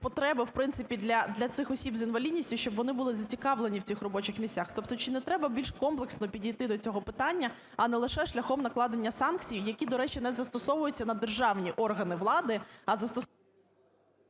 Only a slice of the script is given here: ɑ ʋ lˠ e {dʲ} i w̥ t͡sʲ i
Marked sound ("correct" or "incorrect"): incorrect